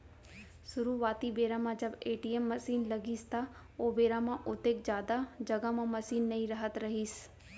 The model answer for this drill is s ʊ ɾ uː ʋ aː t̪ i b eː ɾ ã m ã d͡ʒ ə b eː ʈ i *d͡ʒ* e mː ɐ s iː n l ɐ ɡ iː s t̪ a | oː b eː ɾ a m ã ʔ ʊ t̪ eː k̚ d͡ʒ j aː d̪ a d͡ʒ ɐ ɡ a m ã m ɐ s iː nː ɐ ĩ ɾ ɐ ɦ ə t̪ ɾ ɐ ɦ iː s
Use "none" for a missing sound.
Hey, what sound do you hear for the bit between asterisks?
none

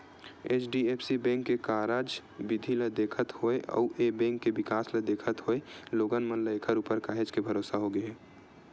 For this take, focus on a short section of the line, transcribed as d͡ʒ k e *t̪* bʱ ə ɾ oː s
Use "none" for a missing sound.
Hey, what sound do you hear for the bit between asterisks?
none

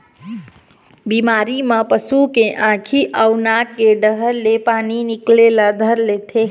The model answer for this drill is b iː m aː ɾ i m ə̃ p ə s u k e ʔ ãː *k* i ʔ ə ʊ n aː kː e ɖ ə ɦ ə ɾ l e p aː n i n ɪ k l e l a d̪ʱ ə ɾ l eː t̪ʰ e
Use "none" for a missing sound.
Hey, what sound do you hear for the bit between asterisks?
kʰ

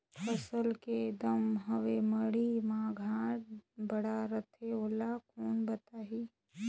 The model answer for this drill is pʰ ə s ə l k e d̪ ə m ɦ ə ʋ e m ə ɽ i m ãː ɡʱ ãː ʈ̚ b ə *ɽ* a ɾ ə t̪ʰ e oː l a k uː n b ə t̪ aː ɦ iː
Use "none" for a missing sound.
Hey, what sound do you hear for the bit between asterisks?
ɽ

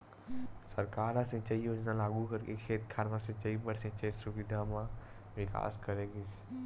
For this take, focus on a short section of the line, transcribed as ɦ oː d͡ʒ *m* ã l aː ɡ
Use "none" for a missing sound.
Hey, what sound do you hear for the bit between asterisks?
n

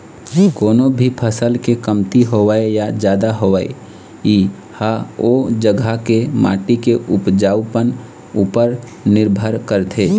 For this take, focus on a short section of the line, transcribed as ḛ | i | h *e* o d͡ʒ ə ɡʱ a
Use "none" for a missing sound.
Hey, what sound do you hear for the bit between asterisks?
a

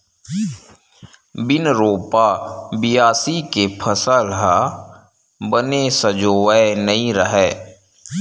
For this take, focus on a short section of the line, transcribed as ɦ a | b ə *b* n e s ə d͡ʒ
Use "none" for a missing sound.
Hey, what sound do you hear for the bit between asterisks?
none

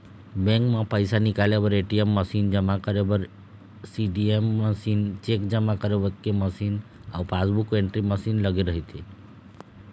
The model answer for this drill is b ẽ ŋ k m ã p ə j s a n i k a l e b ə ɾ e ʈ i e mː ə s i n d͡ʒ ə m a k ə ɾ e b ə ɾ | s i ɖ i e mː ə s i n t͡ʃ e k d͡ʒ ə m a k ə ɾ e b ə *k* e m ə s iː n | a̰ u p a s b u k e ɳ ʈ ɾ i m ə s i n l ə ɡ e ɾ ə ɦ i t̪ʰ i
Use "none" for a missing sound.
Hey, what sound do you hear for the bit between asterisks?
k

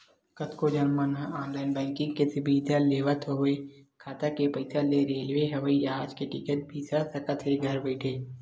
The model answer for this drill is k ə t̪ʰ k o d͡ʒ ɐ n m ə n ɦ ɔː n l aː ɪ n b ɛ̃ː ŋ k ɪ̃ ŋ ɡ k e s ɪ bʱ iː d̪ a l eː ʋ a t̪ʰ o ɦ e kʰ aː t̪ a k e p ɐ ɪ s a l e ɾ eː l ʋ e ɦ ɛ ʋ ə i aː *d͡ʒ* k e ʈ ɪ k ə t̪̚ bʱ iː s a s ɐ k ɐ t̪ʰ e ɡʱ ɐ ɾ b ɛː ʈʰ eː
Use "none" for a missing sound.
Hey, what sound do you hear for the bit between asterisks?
d͡ʒ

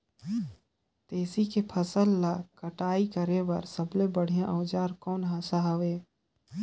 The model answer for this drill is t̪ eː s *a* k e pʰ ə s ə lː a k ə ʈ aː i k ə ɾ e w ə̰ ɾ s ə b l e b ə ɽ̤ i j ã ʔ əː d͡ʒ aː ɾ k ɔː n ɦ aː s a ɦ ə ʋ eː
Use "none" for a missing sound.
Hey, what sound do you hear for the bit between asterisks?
i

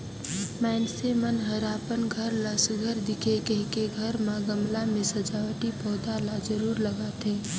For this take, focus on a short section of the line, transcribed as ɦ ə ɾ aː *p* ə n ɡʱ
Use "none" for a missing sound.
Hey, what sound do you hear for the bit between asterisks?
p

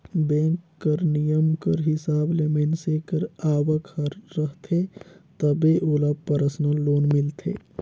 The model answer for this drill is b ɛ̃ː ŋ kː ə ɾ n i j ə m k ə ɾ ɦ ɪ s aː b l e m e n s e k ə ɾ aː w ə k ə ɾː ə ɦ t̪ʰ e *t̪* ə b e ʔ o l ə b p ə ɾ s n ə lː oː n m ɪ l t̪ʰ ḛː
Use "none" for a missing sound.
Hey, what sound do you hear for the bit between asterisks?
t̪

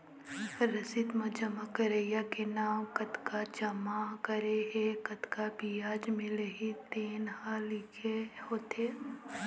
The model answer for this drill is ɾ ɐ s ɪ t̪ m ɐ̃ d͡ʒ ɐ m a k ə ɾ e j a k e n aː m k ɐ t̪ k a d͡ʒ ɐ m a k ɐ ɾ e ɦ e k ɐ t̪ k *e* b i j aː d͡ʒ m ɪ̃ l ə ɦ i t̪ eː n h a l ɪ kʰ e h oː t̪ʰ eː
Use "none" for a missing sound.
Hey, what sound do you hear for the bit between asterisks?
a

